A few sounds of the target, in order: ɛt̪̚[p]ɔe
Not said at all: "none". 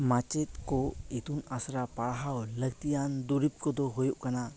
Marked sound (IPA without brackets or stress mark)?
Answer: k